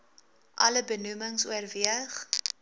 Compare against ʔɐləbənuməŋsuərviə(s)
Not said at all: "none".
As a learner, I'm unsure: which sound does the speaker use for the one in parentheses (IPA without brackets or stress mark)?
χ